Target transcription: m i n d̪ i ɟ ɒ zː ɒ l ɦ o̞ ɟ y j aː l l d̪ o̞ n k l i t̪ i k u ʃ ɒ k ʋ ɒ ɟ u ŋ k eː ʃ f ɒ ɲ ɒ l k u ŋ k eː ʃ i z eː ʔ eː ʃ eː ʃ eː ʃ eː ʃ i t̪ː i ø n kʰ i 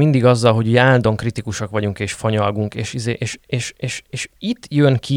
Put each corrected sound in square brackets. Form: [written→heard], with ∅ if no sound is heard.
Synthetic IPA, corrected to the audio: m i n d̪ i [ɟ→ɡ] ɒ zː ɒ l ɦ o̞ ɟ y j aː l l d̪ o̞ [n→ŋ] k [l→r] i t̪ i k u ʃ ɒ k ʋ ɒ ɟ u ŋ k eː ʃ f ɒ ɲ ɒ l [k→ɡ] u ŋ k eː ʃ i z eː ʔ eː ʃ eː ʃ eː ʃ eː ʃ i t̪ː [i→j] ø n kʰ i